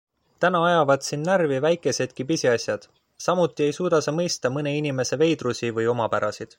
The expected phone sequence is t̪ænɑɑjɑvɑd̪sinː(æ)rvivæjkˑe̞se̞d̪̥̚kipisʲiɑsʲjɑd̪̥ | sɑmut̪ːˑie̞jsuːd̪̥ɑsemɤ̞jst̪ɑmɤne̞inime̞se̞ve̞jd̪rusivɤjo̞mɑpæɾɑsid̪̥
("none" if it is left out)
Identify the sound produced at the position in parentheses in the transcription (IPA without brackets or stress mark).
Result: æ